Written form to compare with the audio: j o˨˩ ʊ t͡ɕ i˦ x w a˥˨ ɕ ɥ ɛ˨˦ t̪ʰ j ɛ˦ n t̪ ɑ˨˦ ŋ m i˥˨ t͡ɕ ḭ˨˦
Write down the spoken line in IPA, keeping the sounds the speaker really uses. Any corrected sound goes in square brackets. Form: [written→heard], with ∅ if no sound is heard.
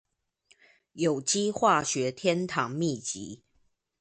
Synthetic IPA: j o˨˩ ʊ t͡ɕ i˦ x w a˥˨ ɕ ɥ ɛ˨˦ t̪ʰ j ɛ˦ n [t̪→t̪ʰ] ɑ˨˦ ŋ m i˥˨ t͡ɕ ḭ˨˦